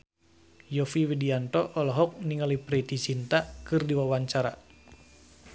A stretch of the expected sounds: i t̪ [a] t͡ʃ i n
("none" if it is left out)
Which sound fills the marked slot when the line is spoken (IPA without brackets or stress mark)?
i